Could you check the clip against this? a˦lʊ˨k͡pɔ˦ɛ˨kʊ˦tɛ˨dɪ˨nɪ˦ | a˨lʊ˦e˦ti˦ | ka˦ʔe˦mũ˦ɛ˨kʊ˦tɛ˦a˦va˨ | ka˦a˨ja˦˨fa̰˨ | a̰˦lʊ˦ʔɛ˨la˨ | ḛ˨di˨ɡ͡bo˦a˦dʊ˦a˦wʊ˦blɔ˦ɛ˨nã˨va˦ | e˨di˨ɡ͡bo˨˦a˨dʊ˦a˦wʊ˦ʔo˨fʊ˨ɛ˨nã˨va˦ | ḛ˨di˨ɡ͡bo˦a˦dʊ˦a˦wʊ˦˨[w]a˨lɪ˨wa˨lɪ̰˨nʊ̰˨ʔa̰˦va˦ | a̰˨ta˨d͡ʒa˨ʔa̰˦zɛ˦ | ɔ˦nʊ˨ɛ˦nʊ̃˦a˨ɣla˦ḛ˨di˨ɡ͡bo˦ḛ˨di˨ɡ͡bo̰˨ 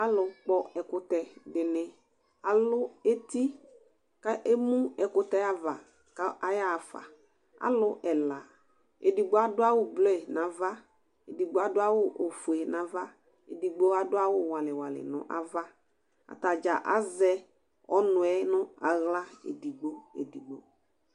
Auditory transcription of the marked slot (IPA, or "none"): w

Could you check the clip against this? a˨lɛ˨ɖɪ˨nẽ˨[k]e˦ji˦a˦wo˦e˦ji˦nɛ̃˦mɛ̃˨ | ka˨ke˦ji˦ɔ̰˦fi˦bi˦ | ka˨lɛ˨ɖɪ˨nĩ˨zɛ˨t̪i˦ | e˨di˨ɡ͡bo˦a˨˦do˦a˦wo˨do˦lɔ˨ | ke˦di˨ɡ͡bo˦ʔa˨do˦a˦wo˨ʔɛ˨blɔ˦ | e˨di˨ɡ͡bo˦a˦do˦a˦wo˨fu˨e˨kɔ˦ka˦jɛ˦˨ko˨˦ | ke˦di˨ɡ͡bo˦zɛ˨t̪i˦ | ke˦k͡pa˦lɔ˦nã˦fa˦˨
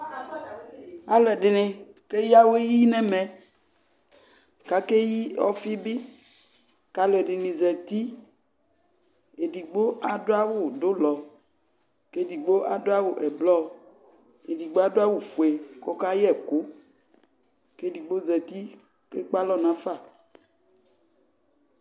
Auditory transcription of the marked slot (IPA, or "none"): k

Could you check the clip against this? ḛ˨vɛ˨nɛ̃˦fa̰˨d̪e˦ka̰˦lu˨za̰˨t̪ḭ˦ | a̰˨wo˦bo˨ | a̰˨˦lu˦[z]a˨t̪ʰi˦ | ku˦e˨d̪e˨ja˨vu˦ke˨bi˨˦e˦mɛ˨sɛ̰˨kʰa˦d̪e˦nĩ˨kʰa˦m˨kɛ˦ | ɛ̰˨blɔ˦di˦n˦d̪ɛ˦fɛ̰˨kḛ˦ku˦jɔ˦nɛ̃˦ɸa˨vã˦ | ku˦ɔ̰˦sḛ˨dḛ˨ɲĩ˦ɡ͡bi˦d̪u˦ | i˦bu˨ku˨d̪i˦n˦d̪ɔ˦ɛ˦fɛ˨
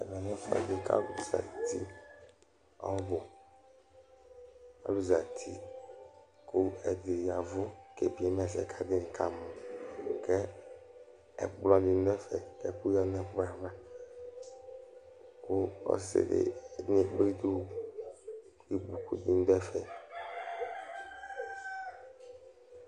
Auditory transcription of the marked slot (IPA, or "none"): z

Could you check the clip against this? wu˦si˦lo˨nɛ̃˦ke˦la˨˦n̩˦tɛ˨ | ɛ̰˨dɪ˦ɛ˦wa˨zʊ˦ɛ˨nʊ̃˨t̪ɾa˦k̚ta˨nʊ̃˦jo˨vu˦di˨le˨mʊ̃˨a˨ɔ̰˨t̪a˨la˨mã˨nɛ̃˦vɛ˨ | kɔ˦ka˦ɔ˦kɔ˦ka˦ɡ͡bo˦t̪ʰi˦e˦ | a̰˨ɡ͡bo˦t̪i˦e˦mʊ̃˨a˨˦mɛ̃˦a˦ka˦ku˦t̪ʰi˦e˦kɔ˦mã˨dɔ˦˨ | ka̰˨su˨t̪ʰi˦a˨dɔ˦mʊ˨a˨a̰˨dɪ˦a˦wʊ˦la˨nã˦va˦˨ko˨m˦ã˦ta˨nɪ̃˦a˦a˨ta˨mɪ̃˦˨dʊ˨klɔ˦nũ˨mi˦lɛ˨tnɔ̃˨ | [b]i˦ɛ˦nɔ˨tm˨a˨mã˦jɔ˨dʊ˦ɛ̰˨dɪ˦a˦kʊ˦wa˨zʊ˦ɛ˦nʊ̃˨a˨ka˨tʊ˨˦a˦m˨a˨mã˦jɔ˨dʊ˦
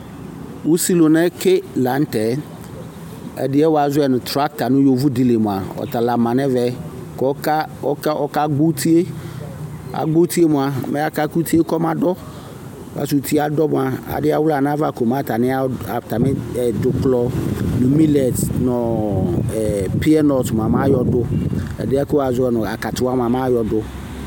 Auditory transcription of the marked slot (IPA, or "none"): p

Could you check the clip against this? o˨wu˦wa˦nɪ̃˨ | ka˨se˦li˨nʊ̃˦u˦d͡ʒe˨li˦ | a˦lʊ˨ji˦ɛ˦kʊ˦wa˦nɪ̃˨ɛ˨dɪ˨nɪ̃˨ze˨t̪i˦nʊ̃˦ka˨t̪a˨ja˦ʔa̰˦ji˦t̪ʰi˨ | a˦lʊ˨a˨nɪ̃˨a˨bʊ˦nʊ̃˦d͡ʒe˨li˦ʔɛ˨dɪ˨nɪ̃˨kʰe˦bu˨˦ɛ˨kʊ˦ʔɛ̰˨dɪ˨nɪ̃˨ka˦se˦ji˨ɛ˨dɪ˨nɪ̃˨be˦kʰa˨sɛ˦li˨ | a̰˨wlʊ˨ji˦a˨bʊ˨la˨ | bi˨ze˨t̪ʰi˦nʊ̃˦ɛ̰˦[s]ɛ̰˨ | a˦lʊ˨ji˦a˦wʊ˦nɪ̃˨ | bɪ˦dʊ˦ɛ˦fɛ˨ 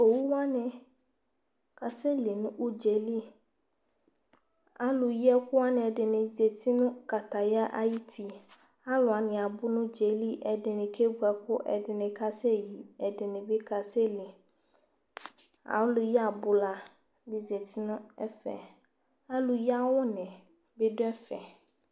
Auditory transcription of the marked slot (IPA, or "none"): f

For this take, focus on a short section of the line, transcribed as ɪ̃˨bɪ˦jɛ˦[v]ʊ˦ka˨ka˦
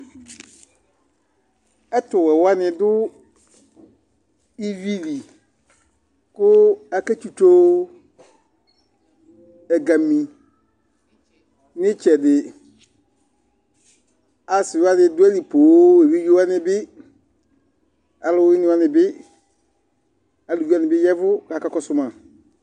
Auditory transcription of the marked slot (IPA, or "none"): v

